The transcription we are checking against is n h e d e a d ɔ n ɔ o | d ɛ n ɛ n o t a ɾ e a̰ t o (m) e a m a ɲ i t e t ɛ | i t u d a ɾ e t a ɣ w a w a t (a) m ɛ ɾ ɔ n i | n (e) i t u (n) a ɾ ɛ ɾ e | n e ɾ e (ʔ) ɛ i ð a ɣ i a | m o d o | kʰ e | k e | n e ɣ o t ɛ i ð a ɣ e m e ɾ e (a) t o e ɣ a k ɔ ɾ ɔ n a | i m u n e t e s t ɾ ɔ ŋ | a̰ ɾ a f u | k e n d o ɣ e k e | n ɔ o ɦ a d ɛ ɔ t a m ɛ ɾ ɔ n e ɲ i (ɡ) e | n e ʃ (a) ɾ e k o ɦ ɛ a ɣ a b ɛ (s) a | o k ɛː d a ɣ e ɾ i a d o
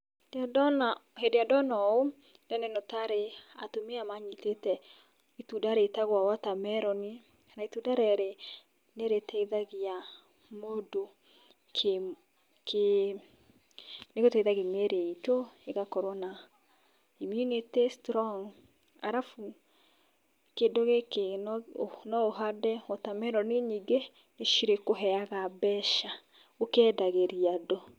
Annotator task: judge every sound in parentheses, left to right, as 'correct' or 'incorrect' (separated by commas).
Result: correct, correct, incorrect, incorrect, incorrect, incorrect, correct, incorrect, incorrect